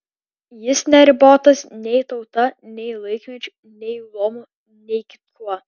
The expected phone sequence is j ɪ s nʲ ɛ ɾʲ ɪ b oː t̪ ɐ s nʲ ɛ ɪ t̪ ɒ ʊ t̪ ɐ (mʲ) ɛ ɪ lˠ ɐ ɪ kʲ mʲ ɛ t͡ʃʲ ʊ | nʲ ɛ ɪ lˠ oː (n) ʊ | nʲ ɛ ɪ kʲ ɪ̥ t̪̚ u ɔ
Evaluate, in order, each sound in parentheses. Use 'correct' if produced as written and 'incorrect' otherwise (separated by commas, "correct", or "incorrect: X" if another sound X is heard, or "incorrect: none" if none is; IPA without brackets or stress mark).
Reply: incorrect: nʲ, incorrect: m